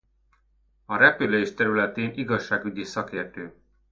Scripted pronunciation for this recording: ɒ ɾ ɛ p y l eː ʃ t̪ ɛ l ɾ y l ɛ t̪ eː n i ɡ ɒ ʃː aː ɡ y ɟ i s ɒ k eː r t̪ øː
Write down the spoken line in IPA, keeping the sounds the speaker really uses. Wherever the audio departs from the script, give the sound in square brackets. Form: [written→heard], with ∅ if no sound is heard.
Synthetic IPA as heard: ɒ ɾ ɛ p y l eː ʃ t̪ ɛ [l→∅] ɾ y l ɛ t̪ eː n i ɡ ɒ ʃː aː ɡ y ɟ i s ɒ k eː r t̪ øː